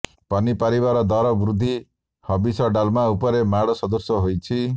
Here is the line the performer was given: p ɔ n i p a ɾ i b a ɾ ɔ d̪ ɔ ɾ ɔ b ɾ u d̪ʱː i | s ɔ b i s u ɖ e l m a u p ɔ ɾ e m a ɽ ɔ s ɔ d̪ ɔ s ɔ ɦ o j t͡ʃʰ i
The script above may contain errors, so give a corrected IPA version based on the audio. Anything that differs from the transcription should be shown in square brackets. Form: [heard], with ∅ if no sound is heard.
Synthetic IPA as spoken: p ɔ n i p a ɾ i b a ɾ ɔ d̪ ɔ ɾ ɔ b ɾ u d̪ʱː i | [h] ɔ b i s [ɔ] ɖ [a] l m a u p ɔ ɾ e m a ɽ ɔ s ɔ d̪ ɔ s ɔ ɦ o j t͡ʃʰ i